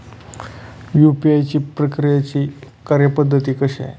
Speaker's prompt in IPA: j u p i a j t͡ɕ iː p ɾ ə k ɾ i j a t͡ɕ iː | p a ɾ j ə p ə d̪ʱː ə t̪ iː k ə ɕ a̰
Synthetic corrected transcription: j u p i a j t͡ɕ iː p ɾ ə k ɾ i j a t͡ɕ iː | k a ɾ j ə p ə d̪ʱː ə t̪ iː k ə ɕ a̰